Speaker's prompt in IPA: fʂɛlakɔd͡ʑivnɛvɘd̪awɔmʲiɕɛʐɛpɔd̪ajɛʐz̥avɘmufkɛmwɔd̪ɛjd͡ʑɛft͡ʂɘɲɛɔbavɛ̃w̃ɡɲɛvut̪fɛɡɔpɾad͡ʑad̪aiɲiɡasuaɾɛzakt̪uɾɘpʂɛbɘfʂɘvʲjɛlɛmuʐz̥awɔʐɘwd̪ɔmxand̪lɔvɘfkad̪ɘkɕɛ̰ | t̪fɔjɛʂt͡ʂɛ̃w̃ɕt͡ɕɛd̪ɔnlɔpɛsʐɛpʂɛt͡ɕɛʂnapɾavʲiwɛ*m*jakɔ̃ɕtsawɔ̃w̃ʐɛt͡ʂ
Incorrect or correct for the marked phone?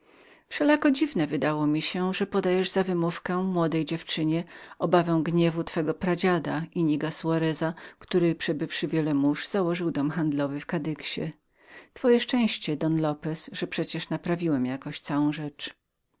correct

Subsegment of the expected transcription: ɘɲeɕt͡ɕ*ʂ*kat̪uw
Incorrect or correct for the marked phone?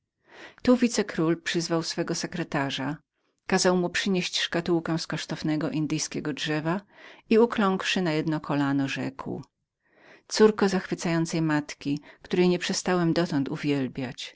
correct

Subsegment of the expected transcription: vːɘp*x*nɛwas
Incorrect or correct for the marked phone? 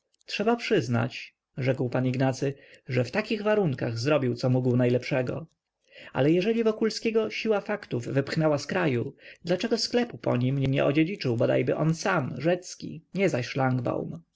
correct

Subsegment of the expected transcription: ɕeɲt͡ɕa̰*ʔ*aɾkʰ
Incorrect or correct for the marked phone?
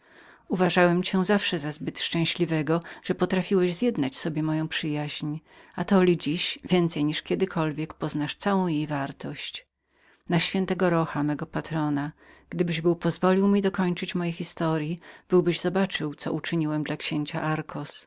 correct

